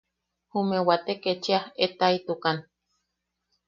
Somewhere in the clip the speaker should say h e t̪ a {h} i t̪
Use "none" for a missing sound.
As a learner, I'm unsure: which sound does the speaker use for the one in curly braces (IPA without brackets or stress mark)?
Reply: none